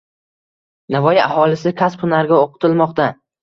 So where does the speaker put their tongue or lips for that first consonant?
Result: tongue tip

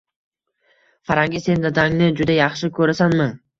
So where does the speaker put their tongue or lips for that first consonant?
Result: lips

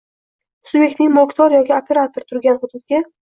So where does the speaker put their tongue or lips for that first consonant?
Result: tongue tip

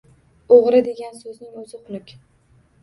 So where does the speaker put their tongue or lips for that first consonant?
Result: uvula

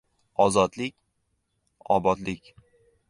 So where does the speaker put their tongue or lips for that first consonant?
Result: tongue tip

